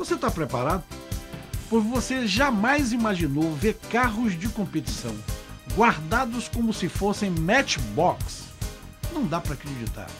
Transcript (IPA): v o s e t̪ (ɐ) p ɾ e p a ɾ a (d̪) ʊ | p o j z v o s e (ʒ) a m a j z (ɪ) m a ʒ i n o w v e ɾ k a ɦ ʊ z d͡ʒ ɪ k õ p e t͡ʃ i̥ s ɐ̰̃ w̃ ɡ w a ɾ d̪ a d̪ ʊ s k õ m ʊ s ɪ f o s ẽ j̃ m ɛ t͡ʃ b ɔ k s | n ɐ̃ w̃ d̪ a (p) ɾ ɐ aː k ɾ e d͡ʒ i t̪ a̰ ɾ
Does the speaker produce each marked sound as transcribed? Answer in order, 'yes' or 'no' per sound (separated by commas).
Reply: no, yes, yes, no, yes